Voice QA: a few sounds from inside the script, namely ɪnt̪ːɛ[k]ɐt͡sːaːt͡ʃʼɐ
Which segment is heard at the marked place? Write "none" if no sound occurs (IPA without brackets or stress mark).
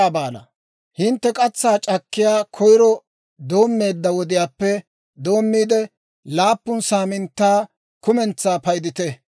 kʼ